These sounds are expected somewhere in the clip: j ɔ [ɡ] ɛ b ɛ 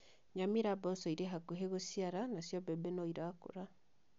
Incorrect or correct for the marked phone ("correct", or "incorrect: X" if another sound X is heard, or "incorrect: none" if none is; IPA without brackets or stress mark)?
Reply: incorrect: b